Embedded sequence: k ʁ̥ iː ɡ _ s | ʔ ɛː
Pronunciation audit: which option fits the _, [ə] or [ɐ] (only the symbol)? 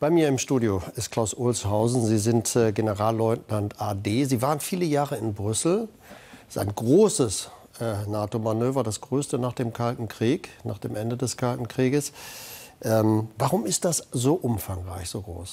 ə